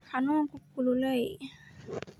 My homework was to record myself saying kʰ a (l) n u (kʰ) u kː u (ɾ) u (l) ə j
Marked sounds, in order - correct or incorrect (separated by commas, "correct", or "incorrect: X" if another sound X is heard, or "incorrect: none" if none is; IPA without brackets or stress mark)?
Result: incorrect: none, incorrect: k, incorrect: l, correct